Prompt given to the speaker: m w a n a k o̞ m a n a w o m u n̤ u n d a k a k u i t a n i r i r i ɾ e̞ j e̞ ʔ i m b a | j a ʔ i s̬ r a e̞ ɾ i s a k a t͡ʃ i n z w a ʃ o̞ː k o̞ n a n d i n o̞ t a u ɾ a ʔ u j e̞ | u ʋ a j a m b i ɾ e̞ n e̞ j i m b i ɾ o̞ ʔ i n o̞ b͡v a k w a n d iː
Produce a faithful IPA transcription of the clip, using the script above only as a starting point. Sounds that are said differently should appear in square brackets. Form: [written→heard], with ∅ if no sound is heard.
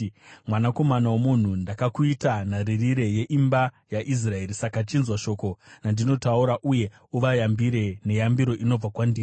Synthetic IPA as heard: m w a n a k o̞ m a n a w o m u n̤ u n d a k a k u i t a n [i→a] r i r i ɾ e̞ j e̞ ʔ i m b a | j a ʔ i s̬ r a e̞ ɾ i s a k a t͡ʃ i n z w a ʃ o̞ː k o̞ n a n d i n o̞ t a u ɾ a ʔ u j e̞ | u ʋ a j a m b i ɾ e̞ n e̞ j [i→a] m b i ɾ o̞ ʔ i n o̞ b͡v a k w a n d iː